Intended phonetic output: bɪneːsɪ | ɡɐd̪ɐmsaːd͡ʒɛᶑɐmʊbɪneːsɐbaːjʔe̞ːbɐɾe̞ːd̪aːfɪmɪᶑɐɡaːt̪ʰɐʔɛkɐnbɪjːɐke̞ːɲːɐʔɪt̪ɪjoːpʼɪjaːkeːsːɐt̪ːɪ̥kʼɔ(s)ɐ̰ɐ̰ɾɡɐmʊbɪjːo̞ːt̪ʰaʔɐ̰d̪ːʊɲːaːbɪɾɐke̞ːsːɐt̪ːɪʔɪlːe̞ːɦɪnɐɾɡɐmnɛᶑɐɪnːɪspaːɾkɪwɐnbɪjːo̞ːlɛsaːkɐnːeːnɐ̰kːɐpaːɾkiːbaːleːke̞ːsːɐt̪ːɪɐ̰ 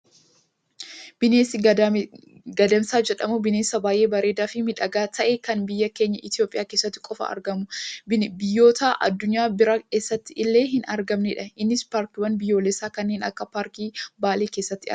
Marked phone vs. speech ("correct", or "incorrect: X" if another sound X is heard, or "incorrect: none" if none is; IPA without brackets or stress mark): incorrect: f